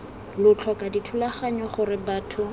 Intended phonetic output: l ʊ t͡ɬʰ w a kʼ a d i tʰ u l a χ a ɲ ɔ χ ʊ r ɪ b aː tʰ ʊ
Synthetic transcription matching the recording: l ʊ t͡ɬʰ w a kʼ a d i tʰ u l a χ a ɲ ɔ χ ʊ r ɪ b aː tʰ ʊ

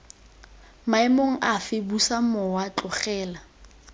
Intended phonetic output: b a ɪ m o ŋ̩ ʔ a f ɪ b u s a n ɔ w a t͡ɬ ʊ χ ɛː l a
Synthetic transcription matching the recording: m a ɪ m o ŋ̩ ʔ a f ɪ b u s a m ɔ w a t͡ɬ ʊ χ ɛː l a

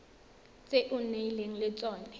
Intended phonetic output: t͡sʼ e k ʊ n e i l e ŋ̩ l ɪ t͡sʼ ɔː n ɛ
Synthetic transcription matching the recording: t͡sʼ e ʔ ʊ n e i l e ŋ̩ l ɪ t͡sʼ ɔː n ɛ

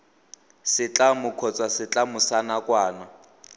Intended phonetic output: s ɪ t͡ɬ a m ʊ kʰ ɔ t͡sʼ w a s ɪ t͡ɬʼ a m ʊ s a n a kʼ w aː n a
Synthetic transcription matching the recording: s ɪ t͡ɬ a m ʊ kʰ ɔ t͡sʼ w a s ɪ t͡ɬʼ a m ʊ s a n a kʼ w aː n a

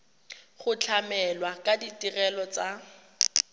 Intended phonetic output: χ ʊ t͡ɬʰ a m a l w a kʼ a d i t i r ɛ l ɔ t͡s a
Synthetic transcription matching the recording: χ ʊ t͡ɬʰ a m ɛ l w a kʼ a d i t i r ɛ l ɔ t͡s a

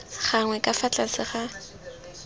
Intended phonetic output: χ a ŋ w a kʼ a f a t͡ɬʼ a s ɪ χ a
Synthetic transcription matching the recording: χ a ŋ w ɛ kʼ a f a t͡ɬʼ a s ɪ χ a

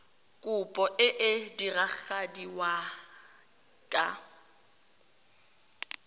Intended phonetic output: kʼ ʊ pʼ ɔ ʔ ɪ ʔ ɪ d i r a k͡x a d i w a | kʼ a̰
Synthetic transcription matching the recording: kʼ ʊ pʼ ɔ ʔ ɪ ʔ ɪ d i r a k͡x a d i w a | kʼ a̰

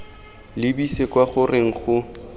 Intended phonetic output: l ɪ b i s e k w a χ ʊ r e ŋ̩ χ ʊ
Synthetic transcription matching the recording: l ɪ b i s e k w a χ ʊ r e ŋ̩ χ ʊ

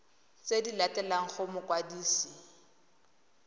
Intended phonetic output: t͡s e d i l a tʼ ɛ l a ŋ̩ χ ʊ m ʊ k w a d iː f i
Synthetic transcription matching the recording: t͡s e d i l a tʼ ɛ l a ŋ̩ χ ʊ m ʊ k w a d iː s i

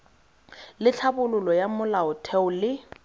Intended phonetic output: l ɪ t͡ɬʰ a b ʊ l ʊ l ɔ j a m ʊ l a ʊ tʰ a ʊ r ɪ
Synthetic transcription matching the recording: l ɪ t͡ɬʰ a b ʊ l ʊ l ɔ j a m ʊ l a ʊ tʰ ɛ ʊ l ɪ

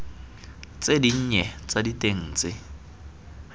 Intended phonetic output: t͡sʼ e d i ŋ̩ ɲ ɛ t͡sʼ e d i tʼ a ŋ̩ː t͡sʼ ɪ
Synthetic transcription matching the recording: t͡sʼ e d i ɲ̩ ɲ ɛ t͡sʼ a d i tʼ e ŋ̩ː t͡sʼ ɪ

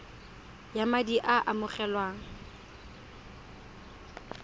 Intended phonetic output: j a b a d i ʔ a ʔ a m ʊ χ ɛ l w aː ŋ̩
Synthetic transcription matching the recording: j a m a d i ʔ a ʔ a m ʊ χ ɛ l w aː ŋ̩

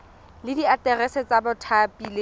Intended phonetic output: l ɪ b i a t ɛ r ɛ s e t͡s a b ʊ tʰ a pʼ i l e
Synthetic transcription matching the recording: l ɪ d i a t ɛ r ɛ s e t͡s a b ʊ tʰ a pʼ i l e

